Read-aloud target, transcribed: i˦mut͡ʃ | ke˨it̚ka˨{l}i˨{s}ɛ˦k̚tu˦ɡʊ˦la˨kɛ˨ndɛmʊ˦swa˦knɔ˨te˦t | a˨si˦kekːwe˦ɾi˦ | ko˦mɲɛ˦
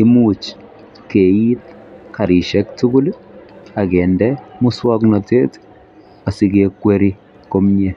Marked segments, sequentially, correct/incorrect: incorrect, incorrect

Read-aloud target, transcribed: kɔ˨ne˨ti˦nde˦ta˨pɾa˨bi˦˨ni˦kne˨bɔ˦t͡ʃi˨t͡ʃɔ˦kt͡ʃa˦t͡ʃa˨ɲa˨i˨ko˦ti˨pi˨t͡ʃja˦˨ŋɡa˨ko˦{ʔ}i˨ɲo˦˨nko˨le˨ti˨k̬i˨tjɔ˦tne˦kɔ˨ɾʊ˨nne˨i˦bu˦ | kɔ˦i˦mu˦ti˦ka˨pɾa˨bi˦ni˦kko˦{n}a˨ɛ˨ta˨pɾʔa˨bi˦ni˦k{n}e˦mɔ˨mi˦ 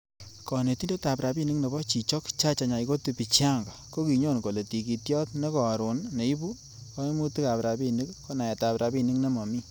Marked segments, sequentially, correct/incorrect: incorrect, correct, correct

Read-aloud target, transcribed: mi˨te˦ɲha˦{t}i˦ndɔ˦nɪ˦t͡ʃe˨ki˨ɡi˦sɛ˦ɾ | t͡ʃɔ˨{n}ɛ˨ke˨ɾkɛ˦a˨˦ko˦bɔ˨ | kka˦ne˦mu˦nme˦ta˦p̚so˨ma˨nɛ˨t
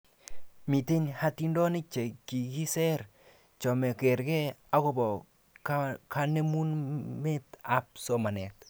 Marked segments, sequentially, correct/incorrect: correct, incorrect

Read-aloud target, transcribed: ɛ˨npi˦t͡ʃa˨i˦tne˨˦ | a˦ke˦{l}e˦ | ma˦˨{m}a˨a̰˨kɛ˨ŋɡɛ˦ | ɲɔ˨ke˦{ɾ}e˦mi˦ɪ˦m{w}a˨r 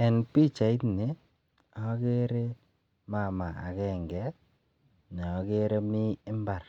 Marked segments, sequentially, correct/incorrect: incorrect, correct, correct, incorrect

